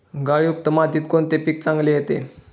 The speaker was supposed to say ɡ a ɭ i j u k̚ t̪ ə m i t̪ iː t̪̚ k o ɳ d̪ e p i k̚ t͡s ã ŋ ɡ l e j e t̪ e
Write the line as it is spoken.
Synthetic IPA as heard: ɡ a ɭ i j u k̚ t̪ ə m a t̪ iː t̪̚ k o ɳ t̪ e p i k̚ t͡s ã ŋ ɡ l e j e t̪ e